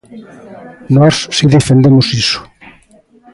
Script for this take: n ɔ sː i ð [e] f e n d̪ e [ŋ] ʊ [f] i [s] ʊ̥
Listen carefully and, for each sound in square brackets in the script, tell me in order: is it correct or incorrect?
correct, incorrect, incorrect, correct

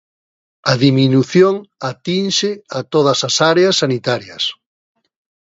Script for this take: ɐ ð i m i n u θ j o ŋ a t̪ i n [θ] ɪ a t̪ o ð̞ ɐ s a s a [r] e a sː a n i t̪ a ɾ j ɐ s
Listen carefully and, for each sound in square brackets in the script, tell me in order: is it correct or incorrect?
incorrect, incorrect

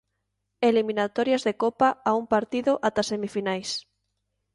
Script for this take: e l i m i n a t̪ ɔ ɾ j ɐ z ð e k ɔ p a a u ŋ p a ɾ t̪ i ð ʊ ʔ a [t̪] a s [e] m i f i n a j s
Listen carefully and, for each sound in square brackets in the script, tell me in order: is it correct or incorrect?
correct, correct

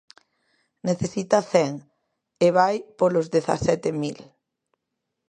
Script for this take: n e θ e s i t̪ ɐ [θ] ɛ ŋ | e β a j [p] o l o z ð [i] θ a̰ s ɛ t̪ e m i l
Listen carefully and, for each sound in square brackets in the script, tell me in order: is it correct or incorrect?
correct, correct, incorrect

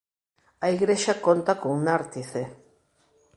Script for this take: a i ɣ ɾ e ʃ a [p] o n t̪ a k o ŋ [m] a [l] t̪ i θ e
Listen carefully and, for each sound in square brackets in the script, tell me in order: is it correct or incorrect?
incorrect, incorrect, incorrect

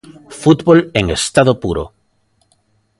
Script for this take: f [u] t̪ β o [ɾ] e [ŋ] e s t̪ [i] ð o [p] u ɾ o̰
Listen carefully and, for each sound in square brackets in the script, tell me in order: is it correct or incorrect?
correct, incorrect, correct, incorrect, correct

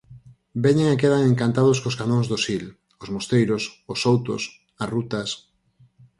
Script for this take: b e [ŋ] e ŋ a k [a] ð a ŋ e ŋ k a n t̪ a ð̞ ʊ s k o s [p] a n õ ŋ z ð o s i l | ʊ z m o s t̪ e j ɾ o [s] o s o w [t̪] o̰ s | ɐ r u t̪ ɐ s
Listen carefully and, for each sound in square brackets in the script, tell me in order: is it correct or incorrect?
incorrect, incorrect, incorrect, correct, correct

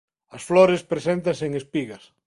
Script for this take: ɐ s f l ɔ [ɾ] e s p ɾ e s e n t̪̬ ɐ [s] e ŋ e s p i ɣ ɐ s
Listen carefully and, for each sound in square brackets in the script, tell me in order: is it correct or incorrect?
correct, correct

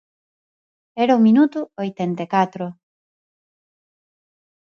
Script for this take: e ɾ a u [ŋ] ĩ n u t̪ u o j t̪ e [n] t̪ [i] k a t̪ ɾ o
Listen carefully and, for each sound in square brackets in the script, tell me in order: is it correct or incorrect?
incorrect, correct, incorrect

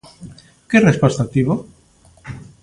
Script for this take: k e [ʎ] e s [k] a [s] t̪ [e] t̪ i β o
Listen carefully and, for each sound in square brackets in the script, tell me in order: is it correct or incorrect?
incorrect, incorrect, correct, incorrect

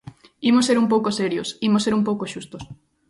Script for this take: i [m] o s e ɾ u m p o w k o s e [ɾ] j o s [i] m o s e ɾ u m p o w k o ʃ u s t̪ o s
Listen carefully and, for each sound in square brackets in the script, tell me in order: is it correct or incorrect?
correct, correct, correct

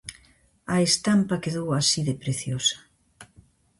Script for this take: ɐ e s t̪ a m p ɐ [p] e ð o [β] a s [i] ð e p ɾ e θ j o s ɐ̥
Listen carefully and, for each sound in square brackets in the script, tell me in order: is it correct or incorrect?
incorrect, incorrect, correct

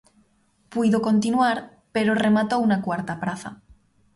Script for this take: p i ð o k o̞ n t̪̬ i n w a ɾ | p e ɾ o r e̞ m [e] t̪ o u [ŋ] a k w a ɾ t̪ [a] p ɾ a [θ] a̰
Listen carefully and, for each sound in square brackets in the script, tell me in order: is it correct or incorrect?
incorrect, incorrect, correct, correct

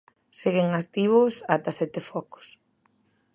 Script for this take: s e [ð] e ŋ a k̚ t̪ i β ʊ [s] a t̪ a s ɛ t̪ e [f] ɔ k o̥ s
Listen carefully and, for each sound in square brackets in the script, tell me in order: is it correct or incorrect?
incorrect, correct, correct

